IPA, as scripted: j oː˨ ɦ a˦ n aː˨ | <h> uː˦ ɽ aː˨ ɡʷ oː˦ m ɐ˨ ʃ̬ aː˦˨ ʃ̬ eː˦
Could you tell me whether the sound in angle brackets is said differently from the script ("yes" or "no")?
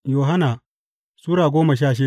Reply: yes